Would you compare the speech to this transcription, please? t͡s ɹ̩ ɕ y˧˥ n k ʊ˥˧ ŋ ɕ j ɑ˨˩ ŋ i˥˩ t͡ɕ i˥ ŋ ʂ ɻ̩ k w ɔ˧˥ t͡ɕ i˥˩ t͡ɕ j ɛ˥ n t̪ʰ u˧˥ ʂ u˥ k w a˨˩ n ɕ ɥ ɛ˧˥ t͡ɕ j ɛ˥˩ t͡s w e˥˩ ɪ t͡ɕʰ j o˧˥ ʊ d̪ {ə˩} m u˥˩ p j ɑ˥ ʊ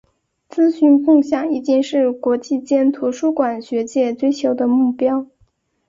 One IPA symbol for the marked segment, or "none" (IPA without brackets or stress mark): ə˧